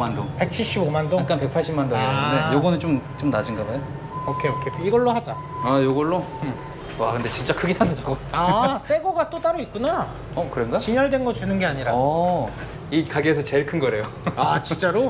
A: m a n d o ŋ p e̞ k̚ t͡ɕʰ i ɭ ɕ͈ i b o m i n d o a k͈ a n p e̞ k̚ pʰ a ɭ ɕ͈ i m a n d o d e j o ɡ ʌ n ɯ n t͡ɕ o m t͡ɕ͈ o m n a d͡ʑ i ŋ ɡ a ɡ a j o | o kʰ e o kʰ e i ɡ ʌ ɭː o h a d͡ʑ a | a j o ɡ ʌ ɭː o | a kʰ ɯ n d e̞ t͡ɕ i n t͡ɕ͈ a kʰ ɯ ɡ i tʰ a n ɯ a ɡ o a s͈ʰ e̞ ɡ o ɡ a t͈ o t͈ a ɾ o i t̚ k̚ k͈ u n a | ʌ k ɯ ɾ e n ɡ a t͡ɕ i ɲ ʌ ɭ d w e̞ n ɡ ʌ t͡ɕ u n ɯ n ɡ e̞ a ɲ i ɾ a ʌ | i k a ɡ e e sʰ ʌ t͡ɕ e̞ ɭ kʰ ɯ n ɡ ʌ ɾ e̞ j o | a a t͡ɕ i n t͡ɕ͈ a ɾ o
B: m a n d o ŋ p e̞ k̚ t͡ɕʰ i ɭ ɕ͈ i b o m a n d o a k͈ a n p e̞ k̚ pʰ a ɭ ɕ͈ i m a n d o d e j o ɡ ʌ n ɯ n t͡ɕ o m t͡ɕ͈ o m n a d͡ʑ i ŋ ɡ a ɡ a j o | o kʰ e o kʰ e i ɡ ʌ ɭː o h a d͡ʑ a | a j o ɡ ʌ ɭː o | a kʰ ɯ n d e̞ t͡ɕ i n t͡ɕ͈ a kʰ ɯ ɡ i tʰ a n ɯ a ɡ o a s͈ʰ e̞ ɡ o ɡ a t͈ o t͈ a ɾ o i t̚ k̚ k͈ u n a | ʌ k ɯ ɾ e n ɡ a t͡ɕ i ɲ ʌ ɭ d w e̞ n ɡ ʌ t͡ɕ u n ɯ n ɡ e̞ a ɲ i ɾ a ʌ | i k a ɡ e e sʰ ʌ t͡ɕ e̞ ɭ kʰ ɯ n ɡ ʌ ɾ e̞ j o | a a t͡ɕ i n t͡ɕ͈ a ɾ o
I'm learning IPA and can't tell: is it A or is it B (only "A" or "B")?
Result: B